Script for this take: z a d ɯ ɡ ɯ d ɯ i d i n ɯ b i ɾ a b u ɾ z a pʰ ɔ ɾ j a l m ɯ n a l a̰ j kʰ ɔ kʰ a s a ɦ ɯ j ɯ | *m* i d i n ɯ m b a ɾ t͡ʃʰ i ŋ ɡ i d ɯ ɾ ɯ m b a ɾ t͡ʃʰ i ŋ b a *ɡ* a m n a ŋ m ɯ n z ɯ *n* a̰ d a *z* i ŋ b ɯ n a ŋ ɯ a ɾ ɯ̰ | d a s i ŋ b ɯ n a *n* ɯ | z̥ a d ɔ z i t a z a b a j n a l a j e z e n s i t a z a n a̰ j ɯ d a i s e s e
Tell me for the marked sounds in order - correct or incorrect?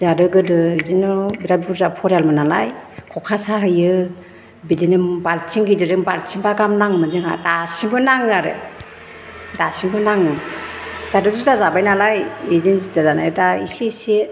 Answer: incorrect: b, correct, incorrect: ŋ, incorrect: s, incorrect: ŋ

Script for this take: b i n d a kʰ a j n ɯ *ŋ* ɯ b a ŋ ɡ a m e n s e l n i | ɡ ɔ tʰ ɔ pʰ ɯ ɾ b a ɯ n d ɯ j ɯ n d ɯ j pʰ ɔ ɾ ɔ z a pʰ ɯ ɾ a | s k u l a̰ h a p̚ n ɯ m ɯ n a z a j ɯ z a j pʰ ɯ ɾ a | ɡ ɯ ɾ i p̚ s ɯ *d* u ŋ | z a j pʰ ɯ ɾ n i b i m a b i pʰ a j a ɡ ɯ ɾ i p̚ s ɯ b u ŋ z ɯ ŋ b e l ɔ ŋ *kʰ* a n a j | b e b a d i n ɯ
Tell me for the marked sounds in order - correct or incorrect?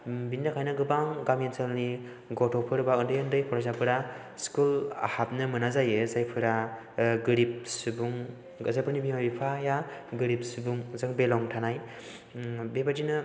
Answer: incorrect: ɡ, incorrect: b, incorrect: tʰ

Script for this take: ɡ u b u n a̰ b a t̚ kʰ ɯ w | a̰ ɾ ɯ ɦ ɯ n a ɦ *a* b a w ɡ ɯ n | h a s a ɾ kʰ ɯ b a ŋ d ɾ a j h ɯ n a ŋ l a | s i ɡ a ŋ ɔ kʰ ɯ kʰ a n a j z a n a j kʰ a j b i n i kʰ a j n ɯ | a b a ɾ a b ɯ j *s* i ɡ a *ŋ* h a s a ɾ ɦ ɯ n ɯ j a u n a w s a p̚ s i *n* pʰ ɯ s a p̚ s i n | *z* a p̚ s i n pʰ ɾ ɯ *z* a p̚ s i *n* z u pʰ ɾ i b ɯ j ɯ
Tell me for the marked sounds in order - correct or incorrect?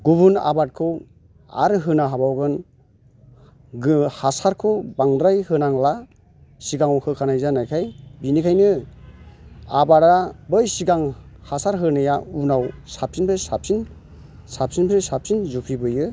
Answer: correct, correct, correct, correct, incorrect: s, incorrect: s, correct

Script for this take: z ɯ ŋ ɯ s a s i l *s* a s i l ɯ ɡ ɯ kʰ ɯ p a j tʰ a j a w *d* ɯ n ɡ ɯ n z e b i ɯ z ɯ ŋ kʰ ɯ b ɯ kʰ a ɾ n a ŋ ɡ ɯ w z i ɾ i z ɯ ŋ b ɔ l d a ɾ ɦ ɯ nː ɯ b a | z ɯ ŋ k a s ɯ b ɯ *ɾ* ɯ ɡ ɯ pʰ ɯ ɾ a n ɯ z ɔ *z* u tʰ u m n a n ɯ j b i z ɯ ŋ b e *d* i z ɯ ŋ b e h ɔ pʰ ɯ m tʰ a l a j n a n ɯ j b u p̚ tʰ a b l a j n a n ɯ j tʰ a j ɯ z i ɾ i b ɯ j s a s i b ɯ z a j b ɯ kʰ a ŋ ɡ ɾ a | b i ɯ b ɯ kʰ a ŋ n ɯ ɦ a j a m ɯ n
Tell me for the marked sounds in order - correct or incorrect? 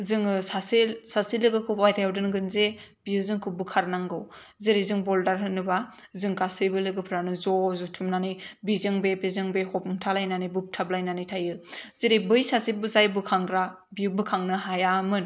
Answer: correct, correct, incorrect: l, correct, incorrect: b

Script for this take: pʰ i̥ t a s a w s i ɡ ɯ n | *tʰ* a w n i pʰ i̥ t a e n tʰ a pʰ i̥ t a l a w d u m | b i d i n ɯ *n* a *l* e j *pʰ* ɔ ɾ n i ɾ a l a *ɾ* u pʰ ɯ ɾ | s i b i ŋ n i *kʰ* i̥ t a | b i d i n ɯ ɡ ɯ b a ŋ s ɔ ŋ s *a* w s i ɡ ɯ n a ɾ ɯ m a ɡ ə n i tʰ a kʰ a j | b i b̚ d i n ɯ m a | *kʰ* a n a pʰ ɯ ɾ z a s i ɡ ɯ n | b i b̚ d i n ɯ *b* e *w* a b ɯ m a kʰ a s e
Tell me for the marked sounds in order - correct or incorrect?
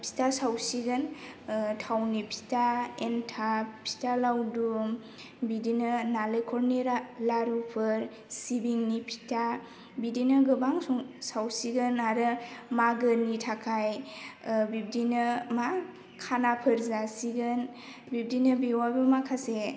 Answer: correct, correct, correct, incorrect: kʰ, correct, incorrect: pʰ, correct, correct, correct, correct

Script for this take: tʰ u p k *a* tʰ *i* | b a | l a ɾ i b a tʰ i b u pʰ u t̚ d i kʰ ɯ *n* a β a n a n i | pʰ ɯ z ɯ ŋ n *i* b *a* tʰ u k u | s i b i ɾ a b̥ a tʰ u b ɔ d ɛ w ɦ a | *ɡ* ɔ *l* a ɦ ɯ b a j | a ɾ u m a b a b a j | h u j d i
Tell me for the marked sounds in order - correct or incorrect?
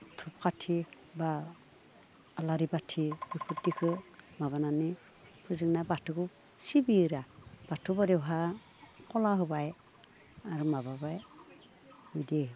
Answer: correct, correct, incorrect: m, incorrect: a, correct, incorrect: k, correct

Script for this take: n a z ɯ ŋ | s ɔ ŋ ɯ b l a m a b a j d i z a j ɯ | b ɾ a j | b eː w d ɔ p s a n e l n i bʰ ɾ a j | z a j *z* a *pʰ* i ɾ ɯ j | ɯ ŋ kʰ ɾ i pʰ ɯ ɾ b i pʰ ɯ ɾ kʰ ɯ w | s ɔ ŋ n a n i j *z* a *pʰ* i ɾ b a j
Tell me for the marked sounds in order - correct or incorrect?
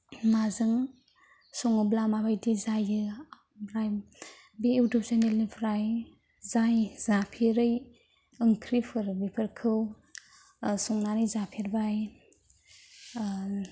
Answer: correct, correct, correct, correct

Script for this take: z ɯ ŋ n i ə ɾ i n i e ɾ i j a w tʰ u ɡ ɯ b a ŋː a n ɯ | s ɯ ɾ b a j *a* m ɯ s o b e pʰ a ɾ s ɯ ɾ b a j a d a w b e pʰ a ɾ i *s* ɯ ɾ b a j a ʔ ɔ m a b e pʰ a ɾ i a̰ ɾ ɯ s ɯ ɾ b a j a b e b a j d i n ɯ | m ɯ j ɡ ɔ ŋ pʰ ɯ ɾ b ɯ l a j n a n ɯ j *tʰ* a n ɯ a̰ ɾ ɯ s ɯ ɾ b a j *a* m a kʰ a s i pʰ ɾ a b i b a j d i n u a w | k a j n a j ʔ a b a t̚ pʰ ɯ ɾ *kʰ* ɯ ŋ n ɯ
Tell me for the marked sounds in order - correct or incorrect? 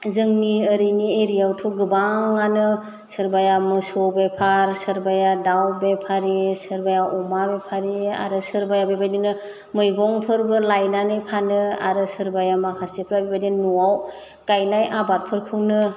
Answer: correct, correct, incorrect: pʰ, correct, correct

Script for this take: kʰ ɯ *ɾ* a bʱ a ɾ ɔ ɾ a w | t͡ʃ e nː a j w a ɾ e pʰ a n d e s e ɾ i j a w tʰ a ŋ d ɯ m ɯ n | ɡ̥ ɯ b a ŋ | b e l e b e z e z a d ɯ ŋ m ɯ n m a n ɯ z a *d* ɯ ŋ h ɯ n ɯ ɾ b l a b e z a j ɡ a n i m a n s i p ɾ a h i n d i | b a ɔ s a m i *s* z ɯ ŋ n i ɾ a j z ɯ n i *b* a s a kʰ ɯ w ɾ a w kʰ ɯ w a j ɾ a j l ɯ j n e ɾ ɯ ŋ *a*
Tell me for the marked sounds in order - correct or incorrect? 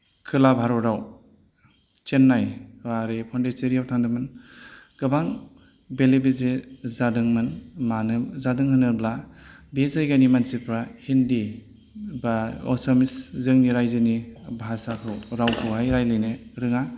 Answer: incorrect: l, correct, correct, correct, correct

